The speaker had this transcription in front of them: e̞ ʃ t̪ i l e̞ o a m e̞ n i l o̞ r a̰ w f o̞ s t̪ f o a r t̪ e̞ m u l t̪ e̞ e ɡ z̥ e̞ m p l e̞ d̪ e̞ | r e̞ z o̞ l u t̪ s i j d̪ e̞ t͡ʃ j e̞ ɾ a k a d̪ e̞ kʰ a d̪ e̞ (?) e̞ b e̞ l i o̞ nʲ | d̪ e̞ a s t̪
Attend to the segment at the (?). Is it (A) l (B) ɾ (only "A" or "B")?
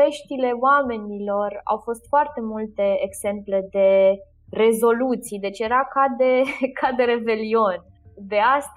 B